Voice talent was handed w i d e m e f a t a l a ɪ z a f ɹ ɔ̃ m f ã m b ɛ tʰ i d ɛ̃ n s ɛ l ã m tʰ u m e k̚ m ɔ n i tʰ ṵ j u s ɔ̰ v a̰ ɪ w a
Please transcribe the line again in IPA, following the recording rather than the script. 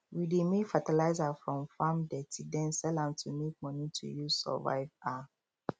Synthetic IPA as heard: w i d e m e f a t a l a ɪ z a f ɹ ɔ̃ m f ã m d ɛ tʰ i d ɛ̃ n s ɛ l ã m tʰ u m e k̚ m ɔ n i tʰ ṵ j u s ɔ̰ v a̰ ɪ v a